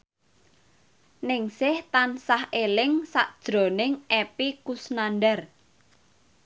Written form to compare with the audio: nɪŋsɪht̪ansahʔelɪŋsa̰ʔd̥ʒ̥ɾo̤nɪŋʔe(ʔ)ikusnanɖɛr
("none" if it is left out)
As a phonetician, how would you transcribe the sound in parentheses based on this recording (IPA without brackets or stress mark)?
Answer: p